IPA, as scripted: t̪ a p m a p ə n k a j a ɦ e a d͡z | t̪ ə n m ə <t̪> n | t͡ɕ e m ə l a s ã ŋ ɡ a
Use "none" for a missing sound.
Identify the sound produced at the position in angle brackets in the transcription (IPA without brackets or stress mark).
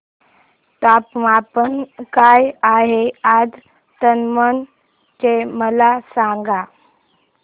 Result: none